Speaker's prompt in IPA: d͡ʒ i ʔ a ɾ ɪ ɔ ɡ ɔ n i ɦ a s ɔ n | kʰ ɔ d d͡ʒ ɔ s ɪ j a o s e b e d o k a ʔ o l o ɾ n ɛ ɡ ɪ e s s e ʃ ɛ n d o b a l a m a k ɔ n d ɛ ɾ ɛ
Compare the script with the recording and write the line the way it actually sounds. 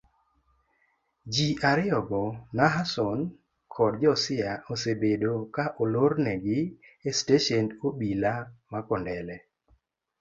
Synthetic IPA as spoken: d͡ʒ i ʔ a ɾ ɪ ɔ ɡ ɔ n a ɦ a s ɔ n | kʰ ɔ d d͡ʒ ɔ s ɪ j a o s e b e d o k a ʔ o l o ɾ n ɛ ɡ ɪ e s t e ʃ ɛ n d o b i l a m a k ɔ n d ɛ l ɛ